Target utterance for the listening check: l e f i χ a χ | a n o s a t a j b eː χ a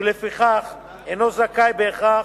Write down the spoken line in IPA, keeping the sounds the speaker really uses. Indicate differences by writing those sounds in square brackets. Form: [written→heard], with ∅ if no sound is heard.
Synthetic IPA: l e f i χ a χ | [a→e] n o [s→z] a [t→k] a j b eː χ a